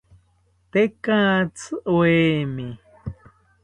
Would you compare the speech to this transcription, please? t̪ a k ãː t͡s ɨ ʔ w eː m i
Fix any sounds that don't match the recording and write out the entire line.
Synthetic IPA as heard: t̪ e k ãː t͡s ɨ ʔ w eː m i